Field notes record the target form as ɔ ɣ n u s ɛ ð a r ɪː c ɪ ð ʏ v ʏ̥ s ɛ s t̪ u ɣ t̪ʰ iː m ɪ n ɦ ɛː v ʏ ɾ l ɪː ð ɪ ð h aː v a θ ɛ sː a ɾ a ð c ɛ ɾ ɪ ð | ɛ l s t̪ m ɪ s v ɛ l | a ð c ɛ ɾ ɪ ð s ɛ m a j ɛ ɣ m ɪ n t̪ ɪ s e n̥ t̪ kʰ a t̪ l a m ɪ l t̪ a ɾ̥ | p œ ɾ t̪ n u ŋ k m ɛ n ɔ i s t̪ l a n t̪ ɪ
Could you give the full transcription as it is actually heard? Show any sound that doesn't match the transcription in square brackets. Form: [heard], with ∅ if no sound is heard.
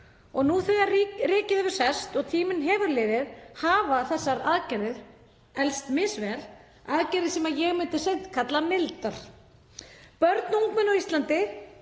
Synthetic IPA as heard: ɔ ɣ n u [θ] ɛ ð a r ɪː c ɪ ð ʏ v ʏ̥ s ɛ s t̪ [ɔ] ɣ t̪ʰ iː m ɪ n ɦ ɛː v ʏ ɾ l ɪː ð ɪ ð h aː v a θ ɛ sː a ɾ a ð c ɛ ɾ ɪ ð | ɛ l s t̪ m ɪ s v ɛ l | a ð c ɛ ɾ ɪ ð s ɛ m a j ɛ ɣ m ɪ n t̪ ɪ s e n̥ t̪ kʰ a t̪ l a m ɪ l t̪ a ɾ̥ | p œ ɾ t̪ n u ŋ k m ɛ n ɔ i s t̪ l a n t̪ ɪ